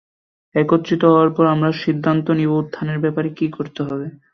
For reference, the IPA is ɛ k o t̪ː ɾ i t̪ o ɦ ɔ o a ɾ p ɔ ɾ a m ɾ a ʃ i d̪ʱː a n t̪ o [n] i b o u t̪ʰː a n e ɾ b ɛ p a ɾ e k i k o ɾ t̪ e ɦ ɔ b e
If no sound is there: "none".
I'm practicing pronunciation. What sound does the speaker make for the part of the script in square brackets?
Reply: n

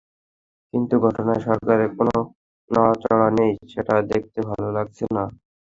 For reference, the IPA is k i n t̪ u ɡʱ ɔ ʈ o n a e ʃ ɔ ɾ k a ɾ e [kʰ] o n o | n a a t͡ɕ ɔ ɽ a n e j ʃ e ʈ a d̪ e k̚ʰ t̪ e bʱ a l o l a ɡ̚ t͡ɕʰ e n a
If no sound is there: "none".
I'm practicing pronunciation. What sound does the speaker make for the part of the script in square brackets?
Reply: k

